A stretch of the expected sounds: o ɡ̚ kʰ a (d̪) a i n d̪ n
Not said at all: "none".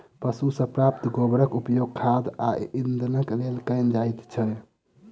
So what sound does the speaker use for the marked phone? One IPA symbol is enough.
d̪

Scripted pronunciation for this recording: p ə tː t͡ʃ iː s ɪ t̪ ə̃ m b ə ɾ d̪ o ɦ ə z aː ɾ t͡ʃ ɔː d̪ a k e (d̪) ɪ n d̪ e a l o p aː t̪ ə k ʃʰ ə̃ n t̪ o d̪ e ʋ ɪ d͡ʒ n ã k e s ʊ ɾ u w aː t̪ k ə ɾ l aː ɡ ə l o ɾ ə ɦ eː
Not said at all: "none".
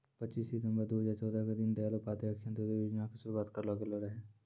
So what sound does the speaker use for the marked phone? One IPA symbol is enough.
d̪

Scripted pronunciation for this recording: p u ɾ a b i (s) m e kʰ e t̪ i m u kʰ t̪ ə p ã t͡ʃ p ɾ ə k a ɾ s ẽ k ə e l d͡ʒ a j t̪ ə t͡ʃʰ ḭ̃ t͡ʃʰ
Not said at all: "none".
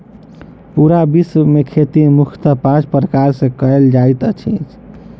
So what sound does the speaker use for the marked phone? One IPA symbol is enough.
s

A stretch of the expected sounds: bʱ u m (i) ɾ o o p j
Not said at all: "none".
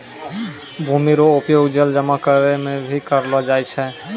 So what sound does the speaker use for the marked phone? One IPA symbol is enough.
i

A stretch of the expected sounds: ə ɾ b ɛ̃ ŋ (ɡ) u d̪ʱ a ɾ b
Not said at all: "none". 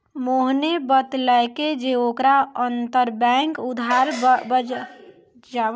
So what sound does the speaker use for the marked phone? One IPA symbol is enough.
k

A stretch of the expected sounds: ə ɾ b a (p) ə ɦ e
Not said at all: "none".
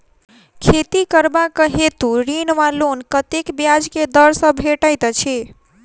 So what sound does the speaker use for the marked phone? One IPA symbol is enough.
k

